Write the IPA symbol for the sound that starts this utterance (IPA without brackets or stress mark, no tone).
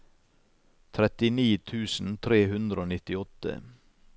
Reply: t̪ʰ